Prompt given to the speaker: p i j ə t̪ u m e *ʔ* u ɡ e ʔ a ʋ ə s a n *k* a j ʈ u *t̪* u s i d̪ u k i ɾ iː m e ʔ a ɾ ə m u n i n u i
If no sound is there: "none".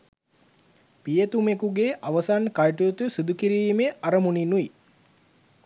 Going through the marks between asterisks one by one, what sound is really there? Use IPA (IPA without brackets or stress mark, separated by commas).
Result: k, k, t̪